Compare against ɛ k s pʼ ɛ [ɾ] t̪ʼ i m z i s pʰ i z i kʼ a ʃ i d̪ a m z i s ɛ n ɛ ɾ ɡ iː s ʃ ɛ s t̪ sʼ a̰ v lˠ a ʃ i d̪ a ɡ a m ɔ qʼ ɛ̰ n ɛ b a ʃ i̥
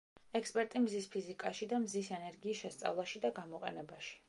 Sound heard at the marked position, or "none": ɾ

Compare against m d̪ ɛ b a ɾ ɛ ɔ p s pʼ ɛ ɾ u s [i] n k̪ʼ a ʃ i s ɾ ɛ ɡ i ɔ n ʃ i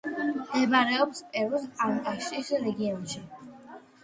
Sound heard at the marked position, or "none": a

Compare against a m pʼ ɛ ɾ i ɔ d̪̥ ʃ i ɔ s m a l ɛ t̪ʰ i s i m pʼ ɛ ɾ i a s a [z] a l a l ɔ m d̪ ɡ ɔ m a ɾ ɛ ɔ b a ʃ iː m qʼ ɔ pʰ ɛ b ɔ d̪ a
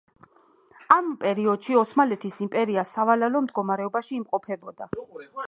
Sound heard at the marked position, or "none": v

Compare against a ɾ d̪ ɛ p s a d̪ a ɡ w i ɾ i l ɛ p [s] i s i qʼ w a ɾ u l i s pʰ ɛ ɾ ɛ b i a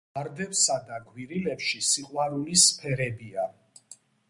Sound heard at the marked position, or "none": ʃ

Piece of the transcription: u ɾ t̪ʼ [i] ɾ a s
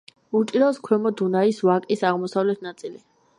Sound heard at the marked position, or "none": i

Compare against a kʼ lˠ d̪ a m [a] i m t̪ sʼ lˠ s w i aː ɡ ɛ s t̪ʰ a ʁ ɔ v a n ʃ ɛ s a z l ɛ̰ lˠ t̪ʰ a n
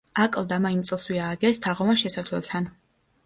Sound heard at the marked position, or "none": a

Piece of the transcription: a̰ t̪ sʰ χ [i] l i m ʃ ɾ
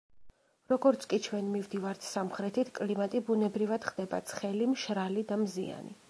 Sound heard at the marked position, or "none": ɛ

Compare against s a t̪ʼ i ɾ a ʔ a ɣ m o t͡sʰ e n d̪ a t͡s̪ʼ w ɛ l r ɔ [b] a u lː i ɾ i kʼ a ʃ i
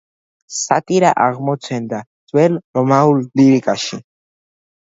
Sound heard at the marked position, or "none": m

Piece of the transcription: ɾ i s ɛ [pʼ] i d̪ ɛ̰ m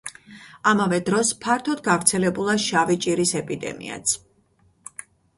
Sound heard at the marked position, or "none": pʼ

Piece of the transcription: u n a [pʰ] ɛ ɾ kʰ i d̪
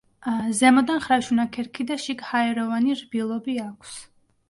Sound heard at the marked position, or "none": kʰ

